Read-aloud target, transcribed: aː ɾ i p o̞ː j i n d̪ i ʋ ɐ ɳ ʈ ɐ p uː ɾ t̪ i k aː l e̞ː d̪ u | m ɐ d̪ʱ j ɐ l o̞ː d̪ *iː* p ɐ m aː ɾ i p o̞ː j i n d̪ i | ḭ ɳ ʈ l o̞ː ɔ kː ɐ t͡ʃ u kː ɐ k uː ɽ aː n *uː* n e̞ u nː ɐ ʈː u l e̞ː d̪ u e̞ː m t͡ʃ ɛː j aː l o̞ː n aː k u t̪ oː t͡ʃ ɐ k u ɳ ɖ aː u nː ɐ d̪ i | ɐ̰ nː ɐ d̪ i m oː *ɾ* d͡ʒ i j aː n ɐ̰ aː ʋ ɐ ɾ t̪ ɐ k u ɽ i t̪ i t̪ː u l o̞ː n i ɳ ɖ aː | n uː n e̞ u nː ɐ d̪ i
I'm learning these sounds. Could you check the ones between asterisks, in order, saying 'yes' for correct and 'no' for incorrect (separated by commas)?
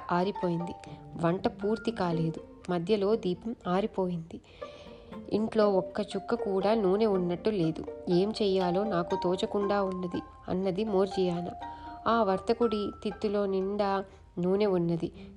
yes, yes, yes